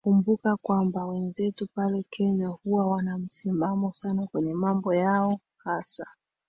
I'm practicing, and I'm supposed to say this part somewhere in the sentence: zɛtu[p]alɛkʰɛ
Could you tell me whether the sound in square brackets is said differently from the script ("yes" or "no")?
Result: no